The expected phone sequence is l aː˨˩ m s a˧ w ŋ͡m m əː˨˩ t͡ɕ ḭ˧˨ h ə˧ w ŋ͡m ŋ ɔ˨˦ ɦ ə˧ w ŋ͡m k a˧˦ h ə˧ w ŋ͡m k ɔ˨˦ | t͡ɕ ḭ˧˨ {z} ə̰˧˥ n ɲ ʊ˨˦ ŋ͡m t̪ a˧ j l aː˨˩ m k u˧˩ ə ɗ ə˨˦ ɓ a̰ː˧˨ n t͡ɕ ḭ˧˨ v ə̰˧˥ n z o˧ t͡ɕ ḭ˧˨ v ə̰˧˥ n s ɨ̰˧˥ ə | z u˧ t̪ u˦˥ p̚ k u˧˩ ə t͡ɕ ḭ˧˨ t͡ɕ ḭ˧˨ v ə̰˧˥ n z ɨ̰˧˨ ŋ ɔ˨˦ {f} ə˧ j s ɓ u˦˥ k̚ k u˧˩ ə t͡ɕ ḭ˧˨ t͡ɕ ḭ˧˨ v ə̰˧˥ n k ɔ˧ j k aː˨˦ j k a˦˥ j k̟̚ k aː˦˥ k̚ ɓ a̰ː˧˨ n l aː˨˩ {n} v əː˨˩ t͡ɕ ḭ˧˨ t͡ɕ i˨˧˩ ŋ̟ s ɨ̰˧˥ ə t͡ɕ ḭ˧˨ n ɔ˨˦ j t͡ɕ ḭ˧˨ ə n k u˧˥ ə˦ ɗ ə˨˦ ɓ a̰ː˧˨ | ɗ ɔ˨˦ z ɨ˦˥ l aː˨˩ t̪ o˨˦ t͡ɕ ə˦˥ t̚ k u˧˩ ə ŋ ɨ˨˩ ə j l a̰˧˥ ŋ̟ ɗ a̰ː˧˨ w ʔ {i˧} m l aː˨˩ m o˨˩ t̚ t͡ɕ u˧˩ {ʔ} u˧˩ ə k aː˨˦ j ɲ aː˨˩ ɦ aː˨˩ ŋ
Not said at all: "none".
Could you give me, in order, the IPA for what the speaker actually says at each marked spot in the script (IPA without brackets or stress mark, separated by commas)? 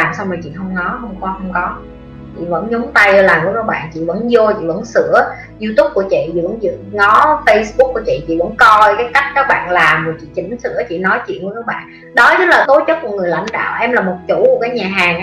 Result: v, f, m, ɛ˧, k